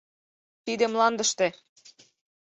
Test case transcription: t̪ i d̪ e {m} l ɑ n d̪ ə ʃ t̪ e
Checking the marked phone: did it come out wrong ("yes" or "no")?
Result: no